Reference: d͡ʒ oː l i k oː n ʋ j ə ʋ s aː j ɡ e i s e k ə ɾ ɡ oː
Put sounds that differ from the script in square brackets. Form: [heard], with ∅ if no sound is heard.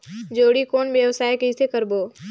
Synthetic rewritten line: d͡ʒ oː [ɽ] i k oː n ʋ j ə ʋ s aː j [k] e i s e k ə ɾ [b] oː